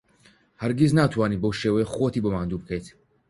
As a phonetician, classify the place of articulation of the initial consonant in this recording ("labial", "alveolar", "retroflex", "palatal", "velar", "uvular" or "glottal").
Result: glottal